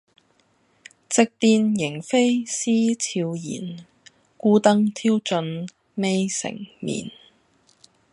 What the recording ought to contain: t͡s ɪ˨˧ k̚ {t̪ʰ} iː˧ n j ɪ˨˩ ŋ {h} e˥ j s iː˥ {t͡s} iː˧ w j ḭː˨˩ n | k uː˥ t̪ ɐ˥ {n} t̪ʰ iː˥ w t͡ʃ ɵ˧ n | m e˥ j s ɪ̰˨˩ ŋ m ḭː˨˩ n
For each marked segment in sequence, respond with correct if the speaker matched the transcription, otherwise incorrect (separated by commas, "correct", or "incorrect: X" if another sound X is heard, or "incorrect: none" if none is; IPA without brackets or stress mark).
incorrect: t̪, incorrect: f, incorrect: t͡sʰ, incorrect: ŋ